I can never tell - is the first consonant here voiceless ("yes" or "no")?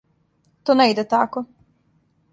yes